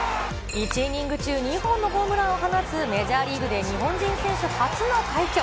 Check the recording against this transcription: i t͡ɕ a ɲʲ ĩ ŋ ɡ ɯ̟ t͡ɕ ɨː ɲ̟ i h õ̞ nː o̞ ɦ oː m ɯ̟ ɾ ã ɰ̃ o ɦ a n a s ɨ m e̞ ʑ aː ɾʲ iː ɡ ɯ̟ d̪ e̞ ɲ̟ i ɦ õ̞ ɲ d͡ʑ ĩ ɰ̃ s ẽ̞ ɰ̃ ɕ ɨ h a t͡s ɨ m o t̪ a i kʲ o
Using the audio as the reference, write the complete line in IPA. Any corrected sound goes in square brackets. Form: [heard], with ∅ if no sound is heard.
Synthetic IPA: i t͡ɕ [i] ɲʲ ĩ ŋ ɡ ɯ̟ t͡ɕ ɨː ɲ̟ i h õ̞ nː o̞ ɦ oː m ɯ̟ ɾ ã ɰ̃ o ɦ a n a s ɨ m e̞ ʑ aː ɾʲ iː ɡ ɯ̟ d̪ e̞ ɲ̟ i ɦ õ̞ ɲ d͡ʑ ĩ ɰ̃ s ẽ̞ ɰ̃ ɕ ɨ h a t͡s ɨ [n] o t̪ a i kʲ o